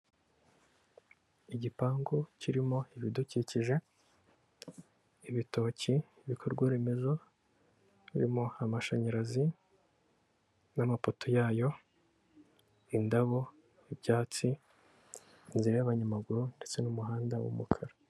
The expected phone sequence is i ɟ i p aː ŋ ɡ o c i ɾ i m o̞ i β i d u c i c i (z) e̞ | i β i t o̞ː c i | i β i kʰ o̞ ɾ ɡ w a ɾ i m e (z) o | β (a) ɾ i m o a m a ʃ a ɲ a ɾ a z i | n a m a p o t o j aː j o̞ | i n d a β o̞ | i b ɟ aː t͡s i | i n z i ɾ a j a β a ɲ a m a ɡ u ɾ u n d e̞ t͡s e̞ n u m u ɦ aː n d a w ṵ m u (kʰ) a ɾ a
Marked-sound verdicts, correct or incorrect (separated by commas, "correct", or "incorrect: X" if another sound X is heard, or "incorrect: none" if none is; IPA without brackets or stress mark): incorrect: ʒ, correct, incorrect: i, correct